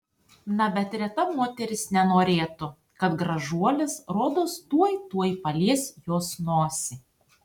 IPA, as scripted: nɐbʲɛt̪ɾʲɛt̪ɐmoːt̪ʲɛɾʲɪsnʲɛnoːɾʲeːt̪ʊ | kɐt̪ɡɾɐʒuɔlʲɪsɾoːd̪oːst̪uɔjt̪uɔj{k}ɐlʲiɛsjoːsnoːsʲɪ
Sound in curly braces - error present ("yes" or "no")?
yes